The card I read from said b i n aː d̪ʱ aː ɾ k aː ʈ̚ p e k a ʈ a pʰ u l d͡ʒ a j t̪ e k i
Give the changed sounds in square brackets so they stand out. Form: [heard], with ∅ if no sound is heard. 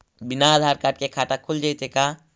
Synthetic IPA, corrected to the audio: b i n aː d̪ʱ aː ɾ k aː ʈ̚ [k] e [kʰ] a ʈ a [kʰ] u l d͡ʒ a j t̪ e k [a]

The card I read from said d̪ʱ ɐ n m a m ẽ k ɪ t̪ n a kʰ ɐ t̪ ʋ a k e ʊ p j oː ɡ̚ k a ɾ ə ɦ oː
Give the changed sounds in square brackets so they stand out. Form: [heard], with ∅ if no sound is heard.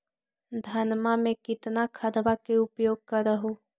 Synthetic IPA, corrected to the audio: d̪ʱ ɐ n m a m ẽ k ɪ t̪ n a kʰ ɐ [d̪] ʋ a k e ʊ p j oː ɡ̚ k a ɾ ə ɦ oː

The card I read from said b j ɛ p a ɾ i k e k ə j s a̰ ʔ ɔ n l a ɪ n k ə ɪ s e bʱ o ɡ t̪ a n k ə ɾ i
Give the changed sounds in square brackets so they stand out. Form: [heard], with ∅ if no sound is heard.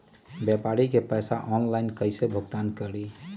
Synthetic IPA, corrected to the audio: b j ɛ p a ɾ i k e [p] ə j s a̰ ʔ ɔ n l a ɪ n k ə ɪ s e bʱ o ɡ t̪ a n k ə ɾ i

